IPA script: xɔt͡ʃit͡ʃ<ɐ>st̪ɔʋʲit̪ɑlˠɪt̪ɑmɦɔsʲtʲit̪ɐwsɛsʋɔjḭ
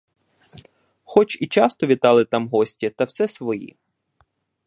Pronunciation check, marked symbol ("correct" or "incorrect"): incorrect